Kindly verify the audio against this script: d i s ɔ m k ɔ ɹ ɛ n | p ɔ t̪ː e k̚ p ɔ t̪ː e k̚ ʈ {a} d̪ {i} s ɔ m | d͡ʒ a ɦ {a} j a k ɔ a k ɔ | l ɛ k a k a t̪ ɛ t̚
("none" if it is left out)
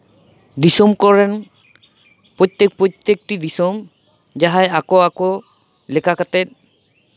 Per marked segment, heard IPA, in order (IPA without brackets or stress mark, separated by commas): i, i, a